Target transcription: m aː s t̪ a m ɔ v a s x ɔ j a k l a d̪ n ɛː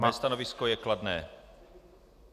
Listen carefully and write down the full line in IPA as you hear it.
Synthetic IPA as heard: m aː s t̪ a n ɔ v i s k ɔ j ɛ k l a d̪ n ɛː

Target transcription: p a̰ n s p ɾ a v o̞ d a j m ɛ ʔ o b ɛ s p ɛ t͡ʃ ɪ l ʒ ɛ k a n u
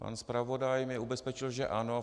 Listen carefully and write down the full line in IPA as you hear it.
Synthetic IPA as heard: p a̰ n s p ɾ a v o̞ d a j m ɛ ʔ u b ɛ s p ɛ t͡ʃ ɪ l ʒ ɛ ʔ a n o

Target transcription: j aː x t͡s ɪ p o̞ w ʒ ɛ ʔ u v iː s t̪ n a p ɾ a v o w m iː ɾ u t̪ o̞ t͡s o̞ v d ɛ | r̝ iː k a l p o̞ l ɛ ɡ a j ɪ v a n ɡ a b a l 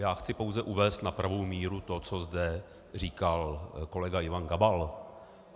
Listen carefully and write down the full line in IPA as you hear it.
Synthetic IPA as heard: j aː x t͡s ɪ p o̞ w z ɛ ʔ u v ɛː s t̪ n a p ɾ a v o w m iː ɾ u t̪ o̞ t͡s o̞ z d ɛ | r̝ iː k a l k o̞ l ɛ ɡ a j ɪ v a n ɡ a b a l

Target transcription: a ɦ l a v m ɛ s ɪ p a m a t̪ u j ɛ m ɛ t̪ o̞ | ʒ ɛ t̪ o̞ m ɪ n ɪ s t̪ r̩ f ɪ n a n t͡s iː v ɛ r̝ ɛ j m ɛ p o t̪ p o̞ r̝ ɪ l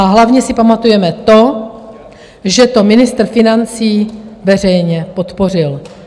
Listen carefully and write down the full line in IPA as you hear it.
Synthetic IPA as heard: a ɦ l a v ɲ ɛ s ɪ p a m a t̪ u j ɛ m ɛ t̪ o̞ | ʒ ɛ t̪ o̞ m ɪ n ɪ s t̪ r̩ f ɪ n a n t͡s iː v ɛ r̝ ɛ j ɲ ɛ p o t̪ p o̞ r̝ ɪ l

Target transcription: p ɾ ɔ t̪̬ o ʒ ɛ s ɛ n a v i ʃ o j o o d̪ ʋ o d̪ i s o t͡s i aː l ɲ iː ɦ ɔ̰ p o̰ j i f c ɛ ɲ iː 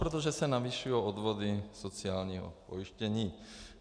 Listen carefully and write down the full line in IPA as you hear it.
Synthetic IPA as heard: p ɾ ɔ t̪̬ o ʒ ɛ s ɛ n a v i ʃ u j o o d̪ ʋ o d̪ i s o t͡s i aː l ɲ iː ɦ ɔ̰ p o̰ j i ʃ c ɛ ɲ iː

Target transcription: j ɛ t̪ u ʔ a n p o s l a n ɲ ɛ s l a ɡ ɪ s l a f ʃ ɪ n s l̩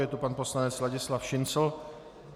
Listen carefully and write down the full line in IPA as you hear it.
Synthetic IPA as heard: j ɛ t̪ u p a n p o s l a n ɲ ɛ t͡s l a ɟ ɪ s l a f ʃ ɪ n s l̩

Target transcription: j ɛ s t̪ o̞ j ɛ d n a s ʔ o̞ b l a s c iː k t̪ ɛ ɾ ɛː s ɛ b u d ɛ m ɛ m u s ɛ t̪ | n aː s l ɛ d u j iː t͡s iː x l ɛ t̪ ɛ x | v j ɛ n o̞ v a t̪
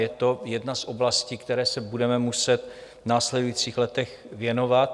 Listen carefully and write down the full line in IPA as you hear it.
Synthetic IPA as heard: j ɛ t̪ o̞ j ɛ d n a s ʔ o̞ b l a s c iː k t̪ ɛ ɾ ɛː s ɛ b u d ɛ m ɛ m u s ɛ t̪ | n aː s l ɛ d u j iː t͡s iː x l ɛ t̪ ɛ x | v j ɛ n o̞ v a t̪

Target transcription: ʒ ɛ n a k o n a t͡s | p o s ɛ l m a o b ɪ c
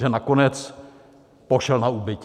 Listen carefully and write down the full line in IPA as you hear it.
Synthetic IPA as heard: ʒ ɛ n a k o n ɛ t͡s | p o ʃ ɛ l n a u b ɪ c

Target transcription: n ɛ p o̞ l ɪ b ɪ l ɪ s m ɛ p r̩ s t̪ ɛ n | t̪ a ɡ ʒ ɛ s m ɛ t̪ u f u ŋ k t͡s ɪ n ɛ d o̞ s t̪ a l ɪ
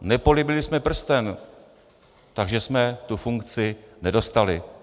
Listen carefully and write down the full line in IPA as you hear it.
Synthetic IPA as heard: n ɛ p o̞ l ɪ b ɪ l ɪ s m ɛ p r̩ s t̪ ɛ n | t̪ a ɡ ʒ ɛ s m ɛ t̪ u f u ŋ k t͡s ɪ n ɛ d o̞ s t̪ a l ɪ

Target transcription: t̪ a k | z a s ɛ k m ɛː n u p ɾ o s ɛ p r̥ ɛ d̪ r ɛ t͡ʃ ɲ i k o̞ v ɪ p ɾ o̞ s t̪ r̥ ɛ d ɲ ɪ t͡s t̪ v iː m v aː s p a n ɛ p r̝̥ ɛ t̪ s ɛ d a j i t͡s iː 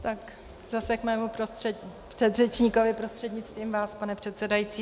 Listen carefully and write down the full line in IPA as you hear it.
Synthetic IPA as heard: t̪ a k | z a s ɛ k m ɛː m u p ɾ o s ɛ p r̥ ɛ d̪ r ɛ t͡ʃ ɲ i k o̞ v ɪ p ɾ o̞ s t̪ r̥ ɛ d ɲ ɪ t͡s t̪ v iː m v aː s p a n ɛ p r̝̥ ɛ t̪ s ɛ d a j i t͡s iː

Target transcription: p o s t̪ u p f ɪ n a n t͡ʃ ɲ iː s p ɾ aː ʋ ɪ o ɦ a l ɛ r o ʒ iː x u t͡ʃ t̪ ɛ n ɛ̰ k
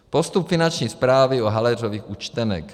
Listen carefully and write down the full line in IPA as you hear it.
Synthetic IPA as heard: p o s t̪ u p f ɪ n a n t͡ʃ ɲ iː s p ɾ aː v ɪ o ɦ a l ɛ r o v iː x u t͡ʃ t̪ ɛ n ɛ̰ k

